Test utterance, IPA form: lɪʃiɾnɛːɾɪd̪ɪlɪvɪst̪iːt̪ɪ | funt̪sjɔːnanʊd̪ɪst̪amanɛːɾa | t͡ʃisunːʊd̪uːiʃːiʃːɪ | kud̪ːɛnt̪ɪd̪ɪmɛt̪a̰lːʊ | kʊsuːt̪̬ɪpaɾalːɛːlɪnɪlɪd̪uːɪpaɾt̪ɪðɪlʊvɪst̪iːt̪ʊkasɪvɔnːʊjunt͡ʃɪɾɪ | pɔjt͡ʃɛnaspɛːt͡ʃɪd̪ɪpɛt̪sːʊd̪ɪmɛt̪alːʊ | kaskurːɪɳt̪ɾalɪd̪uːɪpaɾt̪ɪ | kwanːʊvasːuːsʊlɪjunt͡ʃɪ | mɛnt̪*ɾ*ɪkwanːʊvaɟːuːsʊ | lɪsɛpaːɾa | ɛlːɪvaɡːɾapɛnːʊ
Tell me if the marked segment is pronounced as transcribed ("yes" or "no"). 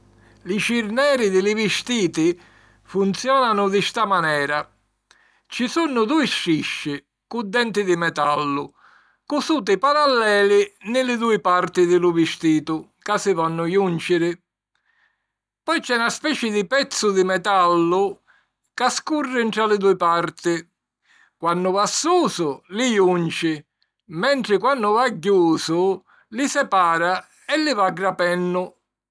yes